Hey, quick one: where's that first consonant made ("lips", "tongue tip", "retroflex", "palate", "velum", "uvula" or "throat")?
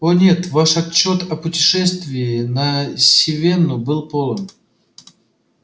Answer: tongue tip